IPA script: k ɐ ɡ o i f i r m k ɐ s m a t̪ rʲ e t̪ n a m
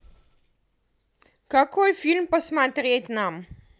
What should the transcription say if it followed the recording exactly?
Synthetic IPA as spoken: k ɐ k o j f i l m p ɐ s m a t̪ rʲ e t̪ n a m